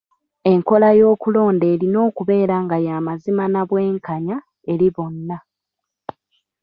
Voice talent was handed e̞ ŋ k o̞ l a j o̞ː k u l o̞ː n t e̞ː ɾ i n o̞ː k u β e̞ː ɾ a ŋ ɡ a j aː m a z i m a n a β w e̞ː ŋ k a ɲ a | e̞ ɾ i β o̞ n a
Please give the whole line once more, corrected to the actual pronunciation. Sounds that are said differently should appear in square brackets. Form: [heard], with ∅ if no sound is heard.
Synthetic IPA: e̞ ŋ k o̞ l a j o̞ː k u l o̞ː n [d] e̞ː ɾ i n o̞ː k u β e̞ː ɾ a ŋ ɡ a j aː m a z i m a n a β w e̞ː ŋ k a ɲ a | e̞ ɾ i β o̞ [nː] a